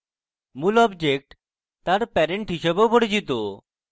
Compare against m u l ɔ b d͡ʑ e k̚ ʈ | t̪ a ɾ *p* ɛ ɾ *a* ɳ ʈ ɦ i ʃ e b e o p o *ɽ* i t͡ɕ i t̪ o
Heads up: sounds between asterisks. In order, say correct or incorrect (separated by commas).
correct, incorrect, correct